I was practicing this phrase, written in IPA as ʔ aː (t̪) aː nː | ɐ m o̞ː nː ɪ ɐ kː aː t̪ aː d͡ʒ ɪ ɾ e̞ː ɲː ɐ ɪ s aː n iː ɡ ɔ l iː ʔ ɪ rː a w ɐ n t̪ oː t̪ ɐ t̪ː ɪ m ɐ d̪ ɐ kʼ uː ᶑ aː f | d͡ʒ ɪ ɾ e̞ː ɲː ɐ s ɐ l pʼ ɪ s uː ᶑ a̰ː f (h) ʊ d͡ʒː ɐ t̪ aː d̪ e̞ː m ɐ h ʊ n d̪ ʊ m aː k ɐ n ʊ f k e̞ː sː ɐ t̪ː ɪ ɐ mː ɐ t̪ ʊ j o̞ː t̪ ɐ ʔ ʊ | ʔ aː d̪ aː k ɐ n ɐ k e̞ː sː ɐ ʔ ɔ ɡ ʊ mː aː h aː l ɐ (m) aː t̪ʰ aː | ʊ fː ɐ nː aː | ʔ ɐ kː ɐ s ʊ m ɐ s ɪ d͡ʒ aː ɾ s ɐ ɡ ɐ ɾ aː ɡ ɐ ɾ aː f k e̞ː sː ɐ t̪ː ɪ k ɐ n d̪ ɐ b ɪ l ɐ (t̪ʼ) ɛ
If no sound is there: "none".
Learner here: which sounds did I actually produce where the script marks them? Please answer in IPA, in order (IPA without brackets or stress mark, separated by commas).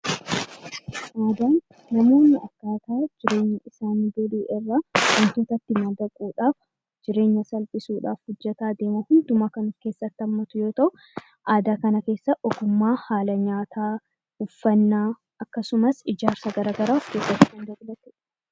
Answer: d̪, h, ɲ, t̪